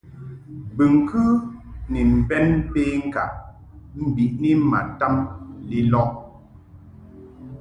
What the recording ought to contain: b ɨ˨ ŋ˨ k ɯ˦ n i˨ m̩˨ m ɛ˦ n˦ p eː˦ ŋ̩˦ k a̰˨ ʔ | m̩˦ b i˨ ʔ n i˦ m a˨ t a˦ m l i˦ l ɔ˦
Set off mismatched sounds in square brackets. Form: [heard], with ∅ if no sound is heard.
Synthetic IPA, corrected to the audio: b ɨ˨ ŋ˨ k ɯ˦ n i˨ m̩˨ [b] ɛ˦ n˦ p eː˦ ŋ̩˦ k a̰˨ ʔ | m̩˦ b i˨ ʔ n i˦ m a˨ t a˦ m l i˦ l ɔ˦